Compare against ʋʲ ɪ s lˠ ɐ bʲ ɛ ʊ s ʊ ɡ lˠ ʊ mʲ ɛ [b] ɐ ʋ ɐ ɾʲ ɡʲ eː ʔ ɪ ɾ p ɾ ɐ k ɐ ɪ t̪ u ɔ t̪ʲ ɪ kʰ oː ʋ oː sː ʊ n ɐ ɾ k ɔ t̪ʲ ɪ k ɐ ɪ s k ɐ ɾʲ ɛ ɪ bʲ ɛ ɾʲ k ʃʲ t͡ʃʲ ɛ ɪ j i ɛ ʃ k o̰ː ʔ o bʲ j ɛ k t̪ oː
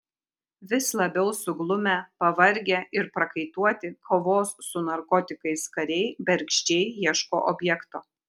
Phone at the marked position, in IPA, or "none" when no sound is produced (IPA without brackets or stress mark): p